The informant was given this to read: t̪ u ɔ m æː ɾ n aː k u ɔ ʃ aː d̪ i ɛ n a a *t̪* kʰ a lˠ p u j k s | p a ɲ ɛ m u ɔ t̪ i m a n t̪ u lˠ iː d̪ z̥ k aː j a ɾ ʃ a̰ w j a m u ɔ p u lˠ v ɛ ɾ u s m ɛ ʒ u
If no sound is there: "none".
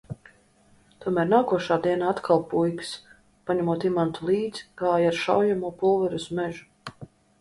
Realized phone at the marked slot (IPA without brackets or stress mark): t̪